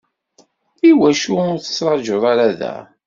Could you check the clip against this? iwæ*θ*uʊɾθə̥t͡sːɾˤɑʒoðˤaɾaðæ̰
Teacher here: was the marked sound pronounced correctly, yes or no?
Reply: no